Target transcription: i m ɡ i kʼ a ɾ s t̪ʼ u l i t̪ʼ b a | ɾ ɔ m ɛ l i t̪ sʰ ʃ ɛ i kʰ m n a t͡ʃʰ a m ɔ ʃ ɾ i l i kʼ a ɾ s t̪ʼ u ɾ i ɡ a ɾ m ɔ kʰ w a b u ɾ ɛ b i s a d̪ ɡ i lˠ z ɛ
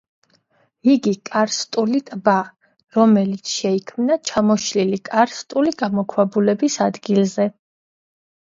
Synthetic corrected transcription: i ɡ i kʼ a ɾ s t̪ʼ u l i t̪ʼ b a | ɾ ɔ m ɛ l i t̪ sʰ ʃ ɛ i kʰ m n a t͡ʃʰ a m ɔ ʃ l i l i kʼ a ɾ s t̪ʼ u l i ɡ a m ɔ kʰ w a b u l ɛ b i s a d̪ ɡ i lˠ z ɛ